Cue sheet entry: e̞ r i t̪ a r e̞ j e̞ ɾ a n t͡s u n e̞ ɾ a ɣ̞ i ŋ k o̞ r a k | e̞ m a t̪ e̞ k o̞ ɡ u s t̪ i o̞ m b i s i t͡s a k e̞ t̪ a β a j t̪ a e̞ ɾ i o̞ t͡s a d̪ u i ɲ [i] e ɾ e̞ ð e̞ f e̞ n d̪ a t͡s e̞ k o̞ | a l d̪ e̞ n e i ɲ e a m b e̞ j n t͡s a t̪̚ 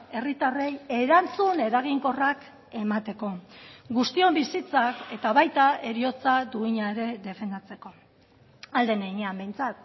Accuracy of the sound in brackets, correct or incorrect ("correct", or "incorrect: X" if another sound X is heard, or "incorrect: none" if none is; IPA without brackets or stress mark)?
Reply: incorrect: a